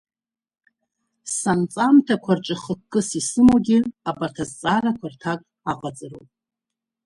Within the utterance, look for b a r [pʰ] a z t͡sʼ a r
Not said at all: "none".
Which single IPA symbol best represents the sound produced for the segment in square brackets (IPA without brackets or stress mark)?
tʰ